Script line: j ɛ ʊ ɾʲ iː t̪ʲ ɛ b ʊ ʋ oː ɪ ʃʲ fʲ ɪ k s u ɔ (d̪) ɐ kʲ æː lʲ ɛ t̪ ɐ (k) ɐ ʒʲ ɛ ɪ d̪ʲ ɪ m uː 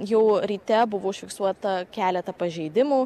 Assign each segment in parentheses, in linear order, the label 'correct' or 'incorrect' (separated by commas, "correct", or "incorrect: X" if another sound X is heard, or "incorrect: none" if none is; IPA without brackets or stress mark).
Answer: incorrect: t̪, incorrect: p